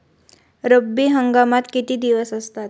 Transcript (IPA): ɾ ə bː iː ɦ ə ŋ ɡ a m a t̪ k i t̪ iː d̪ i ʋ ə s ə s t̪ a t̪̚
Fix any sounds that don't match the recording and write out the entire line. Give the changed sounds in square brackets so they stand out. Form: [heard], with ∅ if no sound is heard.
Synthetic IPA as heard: ɾ ə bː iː ɦ ə ŋ ɡ a m a t̪ k i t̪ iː d̪ i ʋ ə s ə s t̪ a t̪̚